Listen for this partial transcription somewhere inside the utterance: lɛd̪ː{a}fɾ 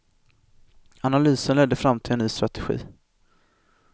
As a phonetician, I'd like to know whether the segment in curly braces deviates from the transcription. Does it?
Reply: yes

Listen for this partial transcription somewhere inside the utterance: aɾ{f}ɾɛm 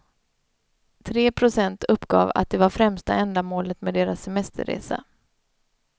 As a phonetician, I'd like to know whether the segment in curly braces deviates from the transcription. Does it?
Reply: no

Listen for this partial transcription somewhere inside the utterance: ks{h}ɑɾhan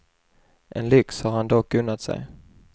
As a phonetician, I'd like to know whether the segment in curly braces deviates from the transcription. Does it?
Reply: no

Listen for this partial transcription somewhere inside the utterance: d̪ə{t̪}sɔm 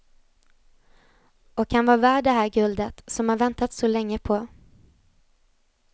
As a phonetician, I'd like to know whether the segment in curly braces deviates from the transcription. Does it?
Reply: no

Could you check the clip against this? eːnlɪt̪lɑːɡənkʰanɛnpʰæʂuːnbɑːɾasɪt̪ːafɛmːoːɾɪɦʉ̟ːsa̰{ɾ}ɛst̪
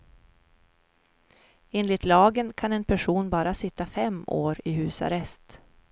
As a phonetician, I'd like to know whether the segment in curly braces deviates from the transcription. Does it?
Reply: no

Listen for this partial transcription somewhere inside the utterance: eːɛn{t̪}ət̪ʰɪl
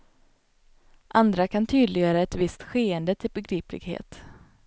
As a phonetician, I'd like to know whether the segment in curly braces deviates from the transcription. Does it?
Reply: yes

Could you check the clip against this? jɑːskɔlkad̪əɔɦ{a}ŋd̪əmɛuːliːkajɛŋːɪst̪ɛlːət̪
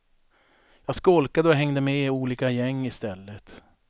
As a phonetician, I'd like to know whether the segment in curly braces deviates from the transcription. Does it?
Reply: yes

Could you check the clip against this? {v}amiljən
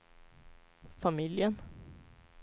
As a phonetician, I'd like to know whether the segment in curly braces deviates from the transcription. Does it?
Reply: yes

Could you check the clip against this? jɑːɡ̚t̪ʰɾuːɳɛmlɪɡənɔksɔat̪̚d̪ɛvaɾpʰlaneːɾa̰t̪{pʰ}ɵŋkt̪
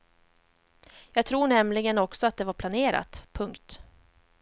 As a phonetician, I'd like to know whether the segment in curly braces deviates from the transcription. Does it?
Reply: no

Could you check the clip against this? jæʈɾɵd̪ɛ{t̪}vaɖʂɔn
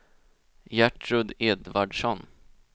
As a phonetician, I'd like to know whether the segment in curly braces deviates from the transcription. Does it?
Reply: yes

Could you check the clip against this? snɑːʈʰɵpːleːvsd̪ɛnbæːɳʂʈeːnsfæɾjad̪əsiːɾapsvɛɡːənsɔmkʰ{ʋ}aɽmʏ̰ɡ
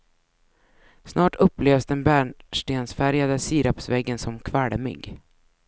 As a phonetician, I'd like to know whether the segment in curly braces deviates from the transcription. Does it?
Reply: yes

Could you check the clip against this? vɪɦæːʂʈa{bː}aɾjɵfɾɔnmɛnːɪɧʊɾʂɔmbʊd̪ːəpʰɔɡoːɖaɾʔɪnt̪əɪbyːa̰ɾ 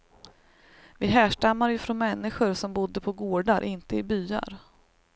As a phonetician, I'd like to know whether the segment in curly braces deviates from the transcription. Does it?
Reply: yes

